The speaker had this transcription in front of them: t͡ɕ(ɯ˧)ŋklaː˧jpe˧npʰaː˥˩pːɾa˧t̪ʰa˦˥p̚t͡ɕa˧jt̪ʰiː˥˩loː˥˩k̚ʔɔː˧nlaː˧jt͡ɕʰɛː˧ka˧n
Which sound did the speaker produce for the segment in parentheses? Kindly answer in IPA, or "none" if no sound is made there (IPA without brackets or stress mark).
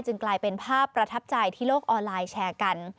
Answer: ɯ˧